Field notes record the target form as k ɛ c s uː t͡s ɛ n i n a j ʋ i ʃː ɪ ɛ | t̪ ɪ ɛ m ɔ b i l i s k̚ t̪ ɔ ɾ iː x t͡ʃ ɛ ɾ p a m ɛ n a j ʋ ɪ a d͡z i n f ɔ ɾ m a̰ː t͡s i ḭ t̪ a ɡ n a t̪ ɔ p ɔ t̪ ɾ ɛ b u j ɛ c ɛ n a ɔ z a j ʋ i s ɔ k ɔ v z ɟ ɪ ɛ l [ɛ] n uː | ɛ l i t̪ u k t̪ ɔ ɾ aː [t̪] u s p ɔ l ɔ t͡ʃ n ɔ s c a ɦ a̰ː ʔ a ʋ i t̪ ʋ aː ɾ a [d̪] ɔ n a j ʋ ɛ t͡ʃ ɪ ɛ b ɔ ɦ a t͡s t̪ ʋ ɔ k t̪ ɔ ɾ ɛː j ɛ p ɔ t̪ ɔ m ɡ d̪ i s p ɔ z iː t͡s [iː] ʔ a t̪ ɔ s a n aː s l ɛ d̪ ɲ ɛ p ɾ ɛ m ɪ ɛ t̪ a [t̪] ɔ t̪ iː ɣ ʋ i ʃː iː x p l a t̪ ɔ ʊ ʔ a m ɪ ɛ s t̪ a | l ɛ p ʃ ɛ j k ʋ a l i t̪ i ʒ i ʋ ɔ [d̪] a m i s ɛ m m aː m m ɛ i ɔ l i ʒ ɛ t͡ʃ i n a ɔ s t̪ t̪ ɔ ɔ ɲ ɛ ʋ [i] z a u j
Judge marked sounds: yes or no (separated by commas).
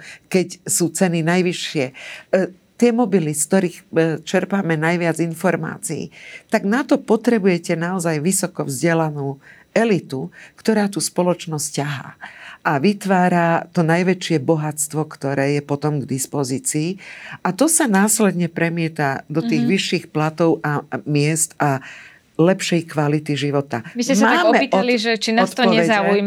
no, yes, no, yes, no, no, no